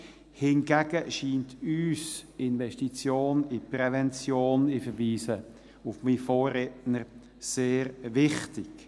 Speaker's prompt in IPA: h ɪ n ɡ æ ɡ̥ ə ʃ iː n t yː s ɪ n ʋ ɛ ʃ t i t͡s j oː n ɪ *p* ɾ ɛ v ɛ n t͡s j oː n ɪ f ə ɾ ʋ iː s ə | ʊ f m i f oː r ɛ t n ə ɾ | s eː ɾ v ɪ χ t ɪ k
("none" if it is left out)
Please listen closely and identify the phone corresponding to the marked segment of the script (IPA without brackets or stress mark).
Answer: p